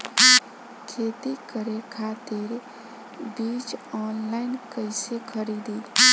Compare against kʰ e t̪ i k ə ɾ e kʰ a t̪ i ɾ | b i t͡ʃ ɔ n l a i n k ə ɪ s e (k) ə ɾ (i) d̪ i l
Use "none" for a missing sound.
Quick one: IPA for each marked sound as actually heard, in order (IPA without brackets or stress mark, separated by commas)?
kʰ, i